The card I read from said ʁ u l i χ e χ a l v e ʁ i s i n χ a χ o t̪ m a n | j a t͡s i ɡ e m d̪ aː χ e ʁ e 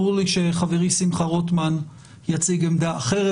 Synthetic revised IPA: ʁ u l i ʃ e χ a v e ʁ i s i m χ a ʁ o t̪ m a n | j a t͡s i ɡ e m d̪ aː χ e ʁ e